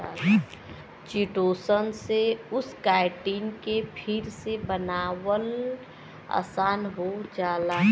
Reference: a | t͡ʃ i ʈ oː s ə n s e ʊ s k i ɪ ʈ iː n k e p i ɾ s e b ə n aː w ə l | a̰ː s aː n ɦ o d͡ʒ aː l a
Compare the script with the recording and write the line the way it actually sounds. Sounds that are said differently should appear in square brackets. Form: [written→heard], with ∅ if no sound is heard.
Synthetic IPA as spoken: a | t͡ʃ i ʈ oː s ə n s e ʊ s k [i→a] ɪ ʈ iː n k e [p→pʰ] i ɾ s e b ə n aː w ə l | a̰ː s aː n ɦ o d͡ʒ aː l a